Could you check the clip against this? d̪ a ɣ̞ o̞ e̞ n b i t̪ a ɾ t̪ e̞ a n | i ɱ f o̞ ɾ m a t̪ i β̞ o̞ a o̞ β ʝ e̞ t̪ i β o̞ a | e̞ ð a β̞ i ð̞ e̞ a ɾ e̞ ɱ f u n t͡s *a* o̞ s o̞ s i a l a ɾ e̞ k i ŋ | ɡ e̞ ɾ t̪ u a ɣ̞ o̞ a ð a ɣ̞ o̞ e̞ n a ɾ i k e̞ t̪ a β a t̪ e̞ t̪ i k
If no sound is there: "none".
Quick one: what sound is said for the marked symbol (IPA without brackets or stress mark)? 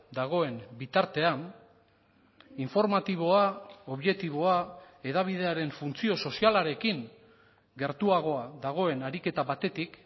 i